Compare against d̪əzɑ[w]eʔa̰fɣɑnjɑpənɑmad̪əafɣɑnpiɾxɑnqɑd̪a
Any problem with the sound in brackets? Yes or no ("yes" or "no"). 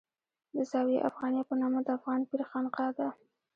no